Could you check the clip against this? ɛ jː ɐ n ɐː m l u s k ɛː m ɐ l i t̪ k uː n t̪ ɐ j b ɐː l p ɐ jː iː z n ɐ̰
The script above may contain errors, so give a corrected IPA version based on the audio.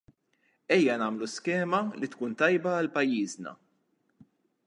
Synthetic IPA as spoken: ɛ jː ɐ n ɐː m l u s k ɛː m ɐ l i t̪ k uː n t̪ ɐ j b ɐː l p ɐ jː iː z n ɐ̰